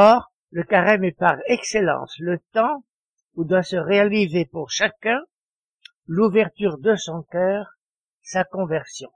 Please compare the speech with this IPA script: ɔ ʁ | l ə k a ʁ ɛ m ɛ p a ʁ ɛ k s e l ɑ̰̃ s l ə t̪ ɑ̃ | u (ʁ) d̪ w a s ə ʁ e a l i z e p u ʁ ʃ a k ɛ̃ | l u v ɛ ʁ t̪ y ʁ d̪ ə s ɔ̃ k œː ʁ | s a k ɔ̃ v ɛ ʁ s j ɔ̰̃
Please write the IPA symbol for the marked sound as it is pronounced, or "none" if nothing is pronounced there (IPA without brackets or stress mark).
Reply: none